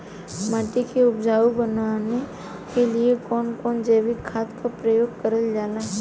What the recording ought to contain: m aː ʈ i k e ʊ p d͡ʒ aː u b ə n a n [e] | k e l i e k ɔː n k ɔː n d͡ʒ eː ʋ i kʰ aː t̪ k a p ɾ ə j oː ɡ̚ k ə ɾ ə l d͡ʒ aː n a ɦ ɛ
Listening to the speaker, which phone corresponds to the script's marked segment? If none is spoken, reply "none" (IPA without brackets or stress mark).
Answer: e